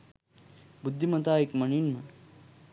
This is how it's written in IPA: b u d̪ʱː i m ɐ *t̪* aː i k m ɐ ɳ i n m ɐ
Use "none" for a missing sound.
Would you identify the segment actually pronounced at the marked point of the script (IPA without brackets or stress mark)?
t̪